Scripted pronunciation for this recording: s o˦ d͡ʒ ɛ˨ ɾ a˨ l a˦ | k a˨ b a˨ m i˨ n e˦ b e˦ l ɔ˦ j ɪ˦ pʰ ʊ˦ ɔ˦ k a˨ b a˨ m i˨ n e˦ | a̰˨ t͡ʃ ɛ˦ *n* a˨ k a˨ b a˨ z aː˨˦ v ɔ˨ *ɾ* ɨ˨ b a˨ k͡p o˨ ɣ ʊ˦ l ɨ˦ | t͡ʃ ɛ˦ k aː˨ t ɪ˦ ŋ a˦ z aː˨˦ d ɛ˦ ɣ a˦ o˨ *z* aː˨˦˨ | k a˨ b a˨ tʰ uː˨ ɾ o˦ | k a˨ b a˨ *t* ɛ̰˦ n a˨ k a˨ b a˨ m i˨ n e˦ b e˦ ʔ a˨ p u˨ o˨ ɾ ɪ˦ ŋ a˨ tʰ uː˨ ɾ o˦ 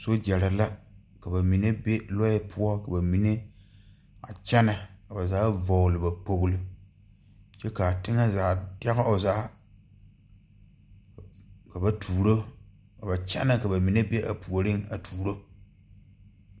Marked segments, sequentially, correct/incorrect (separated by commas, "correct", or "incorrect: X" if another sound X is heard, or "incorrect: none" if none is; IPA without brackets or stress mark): correct, incorrect: l, correct, incorrect: t͡ʃ